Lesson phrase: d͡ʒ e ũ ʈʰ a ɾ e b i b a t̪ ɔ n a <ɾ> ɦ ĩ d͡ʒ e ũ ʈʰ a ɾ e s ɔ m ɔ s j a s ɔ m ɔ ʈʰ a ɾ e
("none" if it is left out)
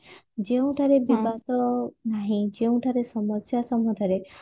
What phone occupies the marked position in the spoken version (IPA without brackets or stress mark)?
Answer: none